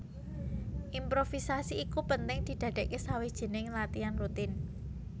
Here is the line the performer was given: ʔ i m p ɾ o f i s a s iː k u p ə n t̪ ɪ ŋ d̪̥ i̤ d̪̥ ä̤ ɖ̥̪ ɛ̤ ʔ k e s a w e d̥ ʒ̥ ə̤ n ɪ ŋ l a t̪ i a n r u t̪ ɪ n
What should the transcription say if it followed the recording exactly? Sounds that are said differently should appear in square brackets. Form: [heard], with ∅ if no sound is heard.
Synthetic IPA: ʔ i m p ɾ o f i s a s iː k u p ə n t̪ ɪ ŋ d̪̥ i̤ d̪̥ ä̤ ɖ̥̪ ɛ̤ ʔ k e s a w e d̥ ʒ̥ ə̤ n ɪ ŋ l a t̪ i a n r u t̪ ɪ n